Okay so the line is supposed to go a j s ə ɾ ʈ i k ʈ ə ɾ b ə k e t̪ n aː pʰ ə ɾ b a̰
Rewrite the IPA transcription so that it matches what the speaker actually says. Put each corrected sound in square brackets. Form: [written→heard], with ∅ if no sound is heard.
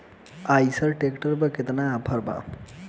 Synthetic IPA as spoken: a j s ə ɾ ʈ [i→e] k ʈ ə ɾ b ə k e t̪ n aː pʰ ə ɾ b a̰